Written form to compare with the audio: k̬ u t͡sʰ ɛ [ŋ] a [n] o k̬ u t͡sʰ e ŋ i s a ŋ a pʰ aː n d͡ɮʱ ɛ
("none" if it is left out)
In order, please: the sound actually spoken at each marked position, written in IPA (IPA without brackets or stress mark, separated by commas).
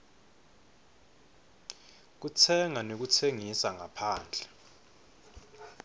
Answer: ŋ, n